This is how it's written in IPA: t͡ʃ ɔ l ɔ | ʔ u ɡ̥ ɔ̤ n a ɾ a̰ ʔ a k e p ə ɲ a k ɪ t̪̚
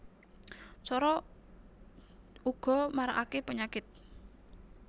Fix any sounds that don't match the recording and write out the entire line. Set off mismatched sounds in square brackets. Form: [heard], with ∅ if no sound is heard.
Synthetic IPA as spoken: t͡ʃ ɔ [ɾ] ɔ | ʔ u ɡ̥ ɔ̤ [m] a ɾ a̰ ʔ a k e p ə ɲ a k ɪ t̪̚